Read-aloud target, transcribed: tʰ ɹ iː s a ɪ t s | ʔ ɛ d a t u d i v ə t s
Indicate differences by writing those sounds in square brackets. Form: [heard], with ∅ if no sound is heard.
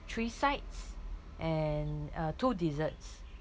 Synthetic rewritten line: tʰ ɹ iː s a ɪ t s | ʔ ɛ [n] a t u d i [z] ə t s